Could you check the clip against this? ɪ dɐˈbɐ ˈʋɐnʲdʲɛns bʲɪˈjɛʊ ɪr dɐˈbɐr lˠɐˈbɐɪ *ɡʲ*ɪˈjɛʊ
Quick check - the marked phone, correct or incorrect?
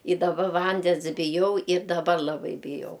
incorrect